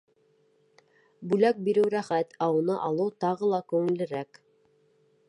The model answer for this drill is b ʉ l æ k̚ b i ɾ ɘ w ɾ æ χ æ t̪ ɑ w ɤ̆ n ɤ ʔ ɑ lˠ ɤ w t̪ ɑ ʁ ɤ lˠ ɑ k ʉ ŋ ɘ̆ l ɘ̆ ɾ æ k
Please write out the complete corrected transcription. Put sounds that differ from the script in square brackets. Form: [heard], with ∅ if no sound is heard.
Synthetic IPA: b ʉ l æ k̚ b i ɾ ɘ w ɾ æ χ æ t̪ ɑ w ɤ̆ n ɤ ʔ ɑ lˠ ɤ w t̪ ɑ ʁ ɤ lˠ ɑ k ʉ ŋ ɘ̆ l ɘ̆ ɾ æ k